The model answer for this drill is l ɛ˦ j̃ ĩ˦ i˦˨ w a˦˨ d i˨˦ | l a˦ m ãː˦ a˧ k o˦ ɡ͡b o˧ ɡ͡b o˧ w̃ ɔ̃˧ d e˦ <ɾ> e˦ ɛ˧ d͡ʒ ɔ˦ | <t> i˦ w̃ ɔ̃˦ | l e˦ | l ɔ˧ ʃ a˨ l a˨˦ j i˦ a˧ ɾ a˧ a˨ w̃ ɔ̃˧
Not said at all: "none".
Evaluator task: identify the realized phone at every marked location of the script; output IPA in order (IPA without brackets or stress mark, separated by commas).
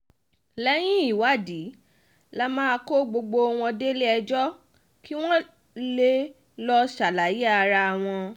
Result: l, k